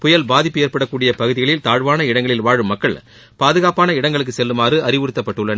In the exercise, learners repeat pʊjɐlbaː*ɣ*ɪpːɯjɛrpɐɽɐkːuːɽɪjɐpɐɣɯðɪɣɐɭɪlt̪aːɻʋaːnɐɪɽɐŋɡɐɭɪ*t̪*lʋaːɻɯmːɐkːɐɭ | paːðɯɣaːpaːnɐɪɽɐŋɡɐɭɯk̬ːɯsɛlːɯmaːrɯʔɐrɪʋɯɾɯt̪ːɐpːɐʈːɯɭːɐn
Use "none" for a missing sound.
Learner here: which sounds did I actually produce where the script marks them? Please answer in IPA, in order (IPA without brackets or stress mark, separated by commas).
ð, none